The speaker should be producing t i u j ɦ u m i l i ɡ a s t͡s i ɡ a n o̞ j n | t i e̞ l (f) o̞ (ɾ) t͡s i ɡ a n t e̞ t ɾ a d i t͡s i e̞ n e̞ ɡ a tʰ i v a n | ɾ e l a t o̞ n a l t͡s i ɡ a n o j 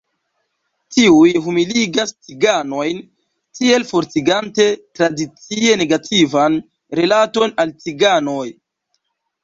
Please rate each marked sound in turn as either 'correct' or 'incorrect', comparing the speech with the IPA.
correct, correct

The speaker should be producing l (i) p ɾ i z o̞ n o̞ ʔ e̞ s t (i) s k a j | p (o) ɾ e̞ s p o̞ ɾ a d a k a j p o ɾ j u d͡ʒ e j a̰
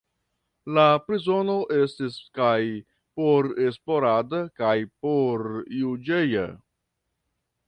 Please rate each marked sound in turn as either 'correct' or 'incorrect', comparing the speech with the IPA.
incorrect: a, correct, correct

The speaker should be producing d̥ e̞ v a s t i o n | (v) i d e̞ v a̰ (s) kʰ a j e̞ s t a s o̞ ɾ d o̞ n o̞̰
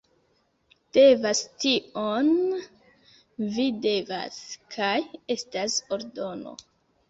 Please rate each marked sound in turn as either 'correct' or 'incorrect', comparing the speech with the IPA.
correct, correct

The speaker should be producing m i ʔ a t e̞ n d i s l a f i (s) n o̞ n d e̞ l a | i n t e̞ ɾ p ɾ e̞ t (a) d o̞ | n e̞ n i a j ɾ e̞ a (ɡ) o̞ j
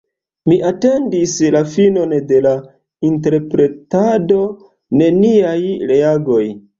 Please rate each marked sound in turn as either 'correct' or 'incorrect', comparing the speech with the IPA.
incorrect: none, correct, correct

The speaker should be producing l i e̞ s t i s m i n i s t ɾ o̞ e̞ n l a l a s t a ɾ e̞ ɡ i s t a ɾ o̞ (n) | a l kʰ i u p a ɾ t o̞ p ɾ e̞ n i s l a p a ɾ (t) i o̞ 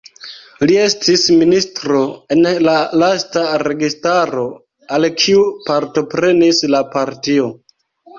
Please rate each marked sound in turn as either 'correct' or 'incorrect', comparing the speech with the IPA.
incorrect: none, correct

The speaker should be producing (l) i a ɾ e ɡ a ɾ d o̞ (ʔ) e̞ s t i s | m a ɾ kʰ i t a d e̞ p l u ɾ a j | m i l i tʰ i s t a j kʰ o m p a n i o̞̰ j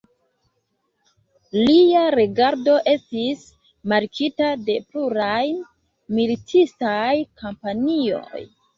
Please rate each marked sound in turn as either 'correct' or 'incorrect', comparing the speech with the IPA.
correct, correct

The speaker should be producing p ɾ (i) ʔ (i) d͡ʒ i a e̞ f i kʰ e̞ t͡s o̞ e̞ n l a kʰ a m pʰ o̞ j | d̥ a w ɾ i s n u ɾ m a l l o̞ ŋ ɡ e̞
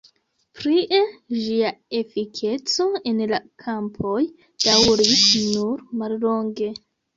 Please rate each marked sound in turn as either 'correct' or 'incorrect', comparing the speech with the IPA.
correct, incorrect: e

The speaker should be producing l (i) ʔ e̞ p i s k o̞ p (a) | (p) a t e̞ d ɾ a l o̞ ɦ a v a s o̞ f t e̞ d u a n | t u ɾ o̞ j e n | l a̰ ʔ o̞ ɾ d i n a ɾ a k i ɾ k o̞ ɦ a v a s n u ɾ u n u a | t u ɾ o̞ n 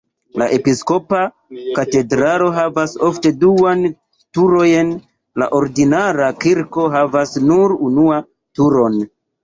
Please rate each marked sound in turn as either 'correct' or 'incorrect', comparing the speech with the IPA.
incorrect: a, correct, incorrect: k

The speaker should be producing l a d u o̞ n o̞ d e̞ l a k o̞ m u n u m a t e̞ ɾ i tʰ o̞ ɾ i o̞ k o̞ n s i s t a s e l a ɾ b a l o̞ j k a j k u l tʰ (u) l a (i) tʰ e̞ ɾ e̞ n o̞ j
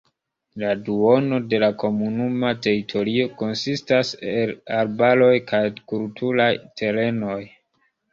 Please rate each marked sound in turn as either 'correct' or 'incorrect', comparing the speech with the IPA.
correct, incorrect: j

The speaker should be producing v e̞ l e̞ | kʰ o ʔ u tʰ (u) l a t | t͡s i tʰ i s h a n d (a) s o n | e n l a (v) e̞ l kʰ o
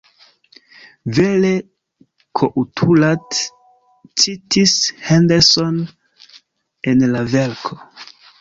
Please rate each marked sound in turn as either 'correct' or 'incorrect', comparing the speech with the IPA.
correct, incorrect: e, correct

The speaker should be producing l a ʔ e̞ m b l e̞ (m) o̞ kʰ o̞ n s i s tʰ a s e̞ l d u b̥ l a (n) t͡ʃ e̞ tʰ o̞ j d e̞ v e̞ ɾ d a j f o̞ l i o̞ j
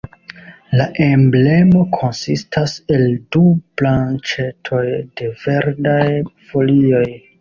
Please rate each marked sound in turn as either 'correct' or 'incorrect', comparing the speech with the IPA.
correct, correct

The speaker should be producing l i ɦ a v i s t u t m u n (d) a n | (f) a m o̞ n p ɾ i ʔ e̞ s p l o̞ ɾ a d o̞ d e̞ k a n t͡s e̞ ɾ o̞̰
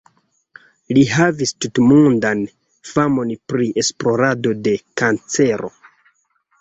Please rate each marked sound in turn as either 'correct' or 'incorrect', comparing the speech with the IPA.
correct, correct

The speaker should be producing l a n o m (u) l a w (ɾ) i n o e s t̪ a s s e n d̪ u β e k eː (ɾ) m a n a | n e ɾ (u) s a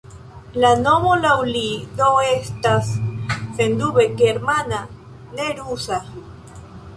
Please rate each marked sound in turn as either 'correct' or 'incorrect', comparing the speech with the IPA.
incorrect: o, incorrect: l, correct, correct

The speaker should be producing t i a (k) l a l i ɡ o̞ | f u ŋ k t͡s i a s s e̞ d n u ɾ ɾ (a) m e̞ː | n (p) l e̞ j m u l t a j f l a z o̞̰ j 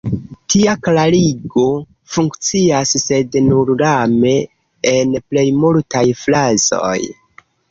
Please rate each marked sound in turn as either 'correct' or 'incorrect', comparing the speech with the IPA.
correct, correct, correct

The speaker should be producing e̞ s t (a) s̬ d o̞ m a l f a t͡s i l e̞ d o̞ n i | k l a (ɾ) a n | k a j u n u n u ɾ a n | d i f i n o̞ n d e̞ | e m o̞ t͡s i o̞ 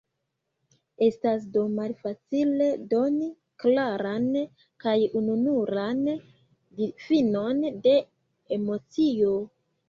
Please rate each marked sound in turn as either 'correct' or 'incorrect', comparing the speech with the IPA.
correct, correct

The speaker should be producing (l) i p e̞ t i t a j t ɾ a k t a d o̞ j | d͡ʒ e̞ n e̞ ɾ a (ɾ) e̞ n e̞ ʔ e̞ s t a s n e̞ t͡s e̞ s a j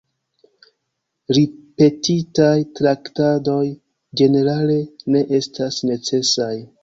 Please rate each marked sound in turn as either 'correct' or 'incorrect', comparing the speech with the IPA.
incorrect: ɾ, incorrect: l

